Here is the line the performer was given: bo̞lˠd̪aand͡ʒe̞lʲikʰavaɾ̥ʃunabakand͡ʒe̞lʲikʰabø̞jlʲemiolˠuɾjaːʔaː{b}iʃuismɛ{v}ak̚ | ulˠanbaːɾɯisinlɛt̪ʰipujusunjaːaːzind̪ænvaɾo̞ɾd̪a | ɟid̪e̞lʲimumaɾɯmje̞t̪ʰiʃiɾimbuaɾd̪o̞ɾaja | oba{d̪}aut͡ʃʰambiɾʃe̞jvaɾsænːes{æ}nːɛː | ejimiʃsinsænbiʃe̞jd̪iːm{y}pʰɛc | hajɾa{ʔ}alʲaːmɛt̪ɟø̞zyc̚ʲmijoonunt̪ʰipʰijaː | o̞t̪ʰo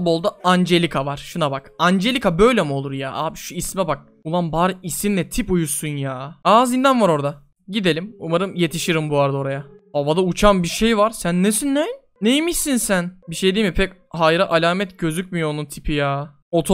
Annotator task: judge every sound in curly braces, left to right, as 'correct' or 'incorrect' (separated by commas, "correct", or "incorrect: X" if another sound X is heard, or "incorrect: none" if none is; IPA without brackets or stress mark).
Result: correct, incorrect: b, correct, incorrect: i, incorrect: i, correct